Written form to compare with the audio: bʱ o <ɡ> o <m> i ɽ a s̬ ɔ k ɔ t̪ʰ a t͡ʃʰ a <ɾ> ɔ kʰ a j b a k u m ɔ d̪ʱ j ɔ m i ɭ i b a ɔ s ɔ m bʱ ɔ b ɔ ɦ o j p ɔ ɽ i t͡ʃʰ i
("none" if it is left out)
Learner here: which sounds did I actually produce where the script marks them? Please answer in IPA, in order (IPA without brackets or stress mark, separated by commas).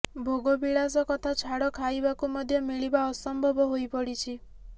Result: ɡ, b, ɽ